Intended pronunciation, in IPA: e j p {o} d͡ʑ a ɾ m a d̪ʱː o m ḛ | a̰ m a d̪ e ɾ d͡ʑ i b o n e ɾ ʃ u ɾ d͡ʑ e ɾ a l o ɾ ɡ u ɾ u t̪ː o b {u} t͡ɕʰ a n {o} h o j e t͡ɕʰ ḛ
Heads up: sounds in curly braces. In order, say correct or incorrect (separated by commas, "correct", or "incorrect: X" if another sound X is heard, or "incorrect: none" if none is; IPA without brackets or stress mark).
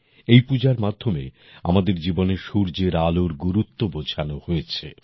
incorrect: u, incorrect: o, correct